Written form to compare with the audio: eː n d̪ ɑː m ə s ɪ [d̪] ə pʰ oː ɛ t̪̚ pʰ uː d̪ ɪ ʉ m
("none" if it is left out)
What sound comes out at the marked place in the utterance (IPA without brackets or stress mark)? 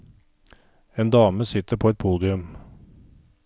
t̪